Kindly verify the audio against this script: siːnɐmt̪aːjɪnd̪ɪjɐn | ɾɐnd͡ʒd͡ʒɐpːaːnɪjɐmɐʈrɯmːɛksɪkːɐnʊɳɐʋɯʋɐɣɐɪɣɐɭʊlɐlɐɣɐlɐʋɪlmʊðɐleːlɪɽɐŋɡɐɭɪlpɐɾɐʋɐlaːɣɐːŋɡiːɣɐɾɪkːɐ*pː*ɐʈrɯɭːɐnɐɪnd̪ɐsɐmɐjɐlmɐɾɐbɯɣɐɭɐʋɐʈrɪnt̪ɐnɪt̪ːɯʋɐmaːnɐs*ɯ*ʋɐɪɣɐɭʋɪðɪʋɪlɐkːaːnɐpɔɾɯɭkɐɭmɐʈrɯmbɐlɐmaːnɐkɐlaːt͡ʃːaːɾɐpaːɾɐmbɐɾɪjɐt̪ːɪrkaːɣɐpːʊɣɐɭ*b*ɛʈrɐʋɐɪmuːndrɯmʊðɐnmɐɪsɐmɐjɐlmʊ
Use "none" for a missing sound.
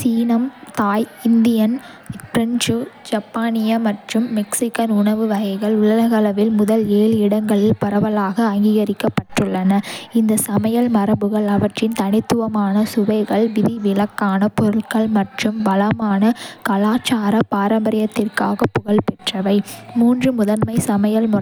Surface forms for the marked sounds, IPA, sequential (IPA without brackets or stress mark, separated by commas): pː, ʊ, p